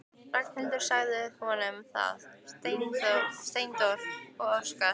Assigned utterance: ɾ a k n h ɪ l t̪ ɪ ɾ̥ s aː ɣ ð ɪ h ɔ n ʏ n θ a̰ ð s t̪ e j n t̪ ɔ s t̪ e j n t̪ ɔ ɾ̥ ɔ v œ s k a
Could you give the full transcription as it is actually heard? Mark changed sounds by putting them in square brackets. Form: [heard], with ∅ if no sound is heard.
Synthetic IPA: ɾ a k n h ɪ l t̪ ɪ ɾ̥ s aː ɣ ð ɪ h ɔ n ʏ [m] θ a̰ ð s t̪ e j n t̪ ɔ s t̪ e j n t̪ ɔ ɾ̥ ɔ [ɣ] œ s k a